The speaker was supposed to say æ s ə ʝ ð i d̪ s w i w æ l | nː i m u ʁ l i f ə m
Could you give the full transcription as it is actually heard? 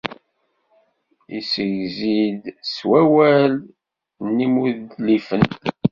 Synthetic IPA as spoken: i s ə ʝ z i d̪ s w æ w æ l | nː i m u ð l i f ə n